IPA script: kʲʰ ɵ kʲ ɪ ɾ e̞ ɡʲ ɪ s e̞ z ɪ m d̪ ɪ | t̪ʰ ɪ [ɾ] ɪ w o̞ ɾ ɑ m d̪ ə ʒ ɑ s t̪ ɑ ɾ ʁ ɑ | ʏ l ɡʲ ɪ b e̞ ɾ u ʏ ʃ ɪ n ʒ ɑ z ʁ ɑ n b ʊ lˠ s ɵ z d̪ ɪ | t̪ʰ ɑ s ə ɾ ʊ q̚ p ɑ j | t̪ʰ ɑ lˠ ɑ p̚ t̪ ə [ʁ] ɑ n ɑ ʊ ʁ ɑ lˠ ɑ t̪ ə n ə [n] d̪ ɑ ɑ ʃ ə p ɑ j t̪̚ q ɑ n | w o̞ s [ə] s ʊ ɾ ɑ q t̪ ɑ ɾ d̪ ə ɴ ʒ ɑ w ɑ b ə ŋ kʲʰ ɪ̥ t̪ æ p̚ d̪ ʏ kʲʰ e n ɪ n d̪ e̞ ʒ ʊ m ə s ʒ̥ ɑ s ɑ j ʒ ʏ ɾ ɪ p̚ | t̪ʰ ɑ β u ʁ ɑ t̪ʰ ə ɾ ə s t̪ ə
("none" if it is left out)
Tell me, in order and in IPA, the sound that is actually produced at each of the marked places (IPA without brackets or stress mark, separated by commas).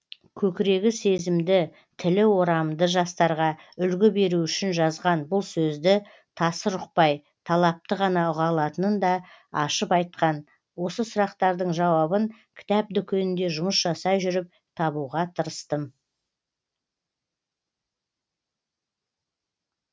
l, ʁ, n, ə